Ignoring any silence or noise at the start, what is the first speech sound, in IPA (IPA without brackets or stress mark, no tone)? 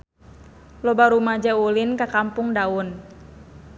l